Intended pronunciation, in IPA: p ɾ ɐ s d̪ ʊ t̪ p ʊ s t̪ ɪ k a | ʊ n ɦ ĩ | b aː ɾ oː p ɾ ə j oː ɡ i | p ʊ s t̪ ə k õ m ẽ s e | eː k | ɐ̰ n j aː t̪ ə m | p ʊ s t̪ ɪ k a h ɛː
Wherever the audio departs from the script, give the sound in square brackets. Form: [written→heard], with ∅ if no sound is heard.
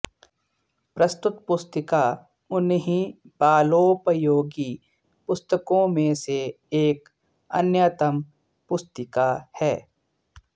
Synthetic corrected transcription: p ɾ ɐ s [d̪→t̪] ʊ t̪ p ʊ s t̪ ɪ k a | ʊ n ɦ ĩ | b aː [ɾ→l] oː p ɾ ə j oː ɡ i | p ʊ s t̪ ə k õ m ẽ s e | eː k | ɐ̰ n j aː t̪ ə m | p ʊ s t̪ ɪ k a h ɛː